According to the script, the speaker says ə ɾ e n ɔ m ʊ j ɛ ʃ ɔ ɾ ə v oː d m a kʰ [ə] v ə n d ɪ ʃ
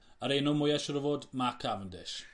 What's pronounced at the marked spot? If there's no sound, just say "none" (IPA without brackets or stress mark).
a